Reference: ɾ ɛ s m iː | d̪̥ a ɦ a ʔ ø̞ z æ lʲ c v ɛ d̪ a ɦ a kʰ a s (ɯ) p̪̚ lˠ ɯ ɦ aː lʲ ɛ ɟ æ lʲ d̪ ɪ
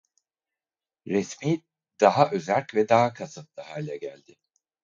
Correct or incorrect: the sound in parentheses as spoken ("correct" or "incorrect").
correct